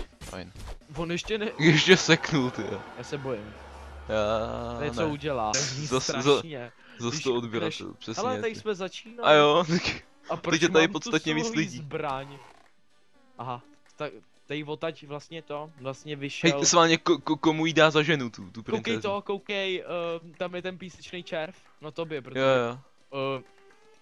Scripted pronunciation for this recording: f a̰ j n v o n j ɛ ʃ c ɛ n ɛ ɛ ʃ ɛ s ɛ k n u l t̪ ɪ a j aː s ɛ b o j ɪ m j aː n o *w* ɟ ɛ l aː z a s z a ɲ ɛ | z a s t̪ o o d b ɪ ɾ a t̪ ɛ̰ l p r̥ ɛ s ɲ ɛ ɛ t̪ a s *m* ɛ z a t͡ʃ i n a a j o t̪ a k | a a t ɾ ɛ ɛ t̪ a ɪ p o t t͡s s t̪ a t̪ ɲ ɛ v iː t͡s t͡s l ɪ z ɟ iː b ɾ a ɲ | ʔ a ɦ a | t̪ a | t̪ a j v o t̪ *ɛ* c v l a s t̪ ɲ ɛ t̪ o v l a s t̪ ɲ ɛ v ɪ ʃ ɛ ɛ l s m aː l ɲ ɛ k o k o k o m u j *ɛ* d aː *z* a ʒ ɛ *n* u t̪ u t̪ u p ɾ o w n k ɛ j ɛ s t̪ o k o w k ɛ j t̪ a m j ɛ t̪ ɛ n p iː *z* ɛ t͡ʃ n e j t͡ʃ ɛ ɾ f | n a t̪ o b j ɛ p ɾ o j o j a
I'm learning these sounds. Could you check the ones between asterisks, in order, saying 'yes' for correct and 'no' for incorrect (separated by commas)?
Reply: no, yes, no, no, yes, yes, no